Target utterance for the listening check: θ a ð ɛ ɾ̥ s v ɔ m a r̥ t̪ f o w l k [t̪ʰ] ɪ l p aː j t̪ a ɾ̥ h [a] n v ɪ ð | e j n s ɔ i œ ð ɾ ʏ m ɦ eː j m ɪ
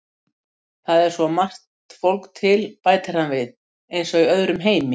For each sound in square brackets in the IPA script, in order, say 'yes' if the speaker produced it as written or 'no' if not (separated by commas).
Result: yes, yes